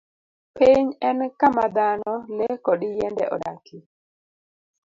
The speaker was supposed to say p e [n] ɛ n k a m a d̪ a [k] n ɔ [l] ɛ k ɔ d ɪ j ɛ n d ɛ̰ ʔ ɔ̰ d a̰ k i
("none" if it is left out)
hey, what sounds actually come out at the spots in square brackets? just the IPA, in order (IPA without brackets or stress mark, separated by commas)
ɲ, none, l